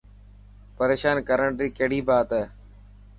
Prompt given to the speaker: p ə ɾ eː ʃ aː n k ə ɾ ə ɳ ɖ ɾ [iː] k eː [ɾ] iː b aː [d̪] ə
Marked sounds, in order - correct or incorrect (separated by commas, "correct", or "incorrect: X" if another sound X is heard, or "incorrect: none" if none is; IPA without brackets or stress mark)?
correct, incorrect: ɽ, incorrect: t̪